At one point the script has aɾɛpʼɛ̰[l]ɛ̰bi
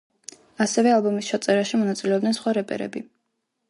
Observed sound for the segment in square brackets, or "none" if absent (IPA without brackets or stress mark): ɾ